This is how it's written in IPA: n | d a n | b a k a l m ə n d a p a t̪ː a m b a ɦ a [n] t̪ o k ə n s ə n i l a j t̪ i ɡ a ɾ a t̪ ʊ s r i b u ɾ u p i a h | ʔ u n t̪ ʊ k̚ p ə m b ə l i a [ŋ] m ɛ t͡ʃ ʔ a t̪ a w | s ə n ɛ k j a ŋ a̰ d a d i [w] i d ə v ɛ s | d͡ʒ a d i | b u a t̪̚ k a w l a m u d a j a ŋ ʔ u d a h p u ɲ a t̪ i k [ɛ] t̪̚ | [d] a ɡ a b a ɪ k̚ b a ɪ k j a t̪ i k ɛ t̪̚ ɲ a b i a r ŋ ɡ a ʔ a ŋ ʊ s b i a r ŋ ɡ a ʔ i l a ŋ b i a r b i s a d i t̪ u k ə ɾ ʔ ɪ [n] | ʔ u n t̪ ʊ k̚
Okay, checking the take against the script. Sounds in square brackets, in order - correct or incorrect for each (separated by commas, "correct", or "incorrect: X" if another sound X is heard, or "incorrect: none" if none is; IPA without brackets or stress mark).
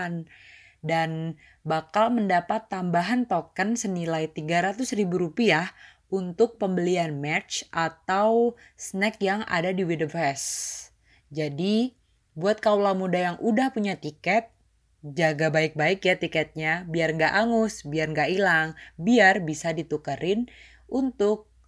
correct, incorrect: n, correct, correct, incorrect: d͡ʒ, correct